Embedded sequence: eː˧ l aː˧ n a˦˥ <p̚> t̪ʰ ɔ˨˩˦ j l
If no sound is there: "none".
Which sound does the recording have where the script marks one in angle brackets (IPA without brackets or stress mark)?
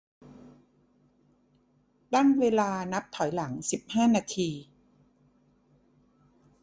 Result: p̚